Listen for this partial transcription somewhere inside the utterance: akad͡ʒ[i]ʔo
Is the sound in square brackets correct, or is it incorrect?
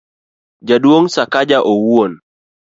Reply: incorrect: a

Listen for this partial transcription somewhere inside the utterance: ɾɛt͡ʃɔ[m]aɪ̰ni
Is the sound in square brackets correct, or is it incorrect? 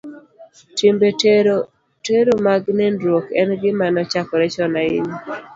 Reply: incorrect: n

